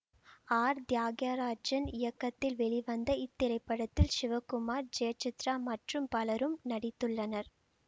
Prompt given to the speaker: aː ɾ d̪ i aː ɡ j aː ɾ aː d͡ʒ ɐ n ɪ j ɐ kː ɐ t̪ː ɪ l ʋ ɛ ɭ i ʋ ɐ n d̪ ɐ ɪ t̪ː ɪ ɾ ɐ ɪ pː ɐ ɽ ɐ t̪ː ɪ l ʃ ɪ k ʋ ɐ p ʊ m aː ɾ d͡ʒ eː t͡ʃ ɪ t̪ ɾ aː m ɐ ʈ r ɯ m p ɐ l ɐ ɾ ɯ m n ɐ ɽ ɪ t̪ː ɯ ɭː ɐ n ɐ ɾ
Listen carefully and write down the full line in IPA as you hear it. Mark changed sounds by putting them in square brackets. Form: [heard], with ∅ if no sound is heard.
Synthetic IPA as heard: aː ɾ d̪ [j] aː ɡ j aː ɾ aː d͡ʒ ɐ n ɪ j ɐ kː ɐ t̪ː ɪ l ʋ ɛ ɭ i ʋ ɐ n d̪ ɐ ɪ t̪ː ɪ ɾ ɐ ɪ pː ɐ ɽ ɐ t̪ː ɪ l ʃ ɪ [∅] ʋ ɐ [k] ʊ m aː ɾ d͡ʒ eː t͡ʃ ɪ t̪ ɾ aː m ɐ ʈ r ɯ m p ɐ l ɐ ɾ ɯ m n ɐ ɽ ɪ t̪ː ɯ ɭː ɐ n ɐ ɾ